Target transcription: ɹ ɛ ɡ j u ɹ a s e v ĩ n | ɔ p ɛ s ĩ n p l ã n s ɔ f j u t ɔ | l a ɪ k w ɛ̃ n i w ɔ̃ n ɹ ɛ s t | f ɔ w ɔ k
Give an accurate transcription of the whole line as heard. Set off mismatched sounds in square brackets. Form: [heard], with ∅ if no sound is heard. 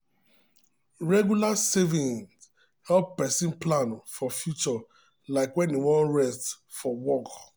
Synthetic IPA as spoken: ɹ ɛ ɡ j u [l] a s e v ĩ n | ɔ p ɛ s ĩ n p l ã n [f] ɔ f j u [t͡ʃ] ɔ | l a ɪ k w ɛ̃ n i w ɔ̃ n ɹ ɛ s t | f ɔ w ɔ k